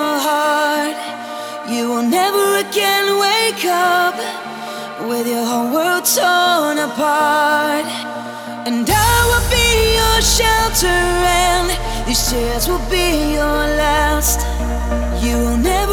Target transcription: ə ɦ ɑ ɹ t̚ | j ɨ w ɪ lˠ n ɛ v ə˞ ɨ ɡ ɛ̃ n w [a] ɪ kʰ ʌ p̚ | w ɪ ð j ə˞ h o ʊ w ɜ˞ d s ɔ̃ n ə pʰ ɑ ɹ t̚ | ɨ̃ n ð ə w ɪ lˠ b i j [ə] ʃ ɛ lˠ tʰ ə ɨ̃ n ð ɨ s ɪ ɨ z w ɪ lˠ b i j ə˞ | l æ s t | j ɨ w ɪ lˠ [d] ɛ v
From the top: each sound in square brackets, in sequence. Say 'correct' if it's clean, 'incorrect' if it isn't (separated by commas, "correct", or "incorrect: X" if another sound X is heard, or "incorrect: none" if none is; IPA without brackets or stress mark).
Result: incorrect: e, correct, incorrect: n